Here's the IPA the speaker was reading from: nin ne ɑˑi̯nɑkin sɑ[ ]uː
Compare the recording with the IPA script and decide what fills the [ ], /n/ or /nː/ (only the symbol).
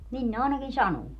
n